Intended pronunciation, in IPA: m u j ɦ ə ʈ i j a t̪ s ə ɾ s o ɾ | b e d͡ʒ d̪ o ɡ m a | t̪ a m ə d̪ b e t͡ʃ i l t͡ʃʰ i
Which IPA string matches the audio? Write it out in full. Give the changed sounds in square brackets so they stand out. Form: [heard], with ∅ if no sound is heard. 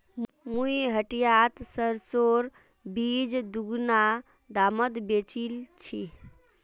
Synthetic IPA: m u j ɦ ə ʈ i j a t̪ s ə ɾ s o ɾ | b [i] d͡ʒ d̪ [u] ɡ [n] a | [d̪] a m ə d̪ b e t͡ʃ i l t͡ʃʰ i